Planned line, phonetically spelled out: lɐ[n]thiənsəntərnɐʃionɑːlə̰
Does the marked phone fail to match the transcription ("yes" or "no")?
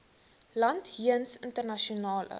no